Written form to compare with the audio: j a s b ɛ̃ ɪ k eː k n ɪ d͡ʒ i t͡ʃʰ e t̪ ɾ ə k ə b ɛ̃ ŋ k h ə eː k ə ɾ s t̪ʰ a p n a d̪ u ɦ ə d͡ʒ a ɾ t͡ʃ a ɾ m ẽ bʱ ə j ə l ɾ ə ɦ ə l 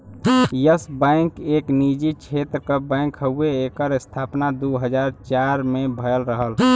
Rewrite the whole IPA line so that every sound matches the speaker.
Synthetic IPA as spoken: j ə s b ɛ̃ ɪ k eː k n i d͡ʒ i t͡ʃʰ e t̪ ɾ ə k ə b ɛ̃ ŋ k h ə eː k ə ɾ s t̪ʰ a p n a d̪ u ɦ ə d͡ʒ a ɾ t͡ʃ a ɾ m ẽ bʱ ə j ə l ɾ ə ɦ ə l